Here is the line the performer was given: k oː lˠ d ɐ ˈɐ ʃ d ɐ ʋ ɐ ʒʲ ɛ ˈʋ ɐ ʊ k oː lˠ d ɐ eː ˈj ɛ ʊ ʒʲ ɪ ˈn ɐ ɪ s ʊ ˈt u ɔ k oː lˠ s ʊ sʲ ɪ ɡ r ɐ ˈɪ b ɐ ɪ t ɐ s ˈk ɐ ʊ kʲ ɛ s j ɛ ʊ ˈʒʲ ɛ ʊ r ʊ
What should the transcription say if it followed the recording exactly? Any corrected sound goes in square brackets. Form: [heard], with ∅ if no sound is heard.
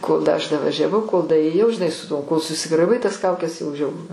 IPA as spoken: k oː lˠ d ɐ ˈɐ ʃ d ɐ ʋ ɐ ʒʲ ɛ ˈʋ ɐ ʊ k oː lˠ d ɐ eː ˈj ɛ ʊ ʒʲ ɪ ˈn ɐ ɪ s ʊ ˈt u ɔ k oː lˠ s ʊ sʲ ɪ ɡ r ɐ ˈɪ b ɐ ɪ t ɐ s ˈk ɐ ʊ kʲ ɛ s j ɛ ʊ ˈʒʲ ɛ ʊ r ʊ